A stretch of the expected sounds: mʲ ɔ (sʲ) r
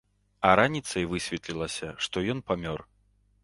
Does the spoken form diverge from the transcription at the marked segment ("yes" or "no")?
yes